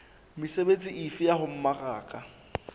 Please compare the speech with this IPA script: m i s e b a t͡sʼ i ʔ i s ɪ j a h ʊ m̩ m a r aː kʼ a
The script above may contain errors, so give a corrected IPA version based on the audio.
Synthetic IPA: m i s e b e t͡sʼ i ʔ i f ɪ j a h ʊ m̩ m a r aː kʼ a